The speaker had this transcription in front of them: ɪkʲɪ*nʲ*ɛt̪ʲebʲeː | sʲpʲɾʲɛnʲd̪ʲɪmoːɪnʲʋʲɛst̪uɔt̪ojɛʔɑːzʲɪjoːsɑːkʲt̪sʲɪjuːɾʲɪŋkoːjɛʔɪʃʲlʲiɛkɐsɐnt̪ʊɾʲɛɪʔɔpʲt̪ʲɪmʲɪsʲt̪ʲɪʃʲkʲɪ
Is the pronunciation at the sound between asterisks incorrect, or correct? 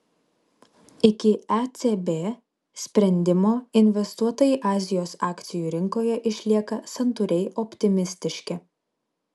incorrect: none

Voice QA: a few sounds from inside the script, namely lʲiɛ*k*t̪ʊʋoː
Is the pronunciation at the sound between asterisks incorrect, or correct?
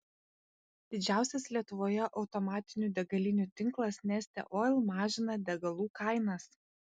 incorrect: none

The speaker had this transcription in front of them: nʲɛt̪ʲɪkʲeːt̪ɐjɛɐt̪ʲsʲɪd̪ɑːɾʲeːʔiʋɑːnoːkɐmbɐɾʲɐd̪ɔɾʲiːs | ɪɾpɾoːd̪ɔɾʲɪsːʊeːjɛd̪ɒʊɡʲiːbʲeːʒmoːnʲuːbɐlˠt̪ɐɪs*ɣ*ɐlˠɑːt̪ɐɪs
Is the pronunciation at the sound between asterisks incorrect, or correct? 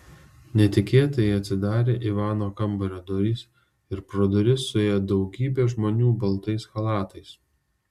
incorrect: x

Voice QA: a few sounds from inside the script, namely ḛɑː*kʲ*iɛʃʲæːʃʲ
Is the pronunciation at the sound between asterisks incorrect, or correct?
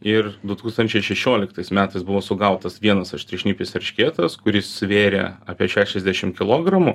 incorrect: pʲ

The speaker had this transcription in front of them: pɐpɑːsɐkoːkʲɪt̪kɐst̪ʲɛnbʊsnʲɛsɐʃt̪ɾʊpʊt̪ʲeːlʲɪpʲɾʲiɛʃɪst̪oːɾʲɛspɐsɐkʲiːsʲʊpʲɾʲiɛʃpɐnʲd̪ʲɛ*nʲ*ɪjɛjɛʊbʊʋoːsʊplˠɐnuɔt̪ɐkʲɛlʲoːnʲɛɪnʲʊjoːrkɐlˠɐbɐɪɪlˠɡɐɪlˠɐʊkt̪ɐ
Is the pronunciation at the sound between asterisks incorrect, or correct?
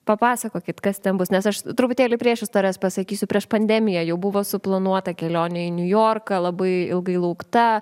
incorrect: mʲ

